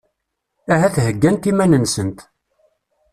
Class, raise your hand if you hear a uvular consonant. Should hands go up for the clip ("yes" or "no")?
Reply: no